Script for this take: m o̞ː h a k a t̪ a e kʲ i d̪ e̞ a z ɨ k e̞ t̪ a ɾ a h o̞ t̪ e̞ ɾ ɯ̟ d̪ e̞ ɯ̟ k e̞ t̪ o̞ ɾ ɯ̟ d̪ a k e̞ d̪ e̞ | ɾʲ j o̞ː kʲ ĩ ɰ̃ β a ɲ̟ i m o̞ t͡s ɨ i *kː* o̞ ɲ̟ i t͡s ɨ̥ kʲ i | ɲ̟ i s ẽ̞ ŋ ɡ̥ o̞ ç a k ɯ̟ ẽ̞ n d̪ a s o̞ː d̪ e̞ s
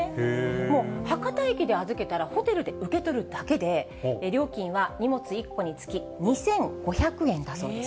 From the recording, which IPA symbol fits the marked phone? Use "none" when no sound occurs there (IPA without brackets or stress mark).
kː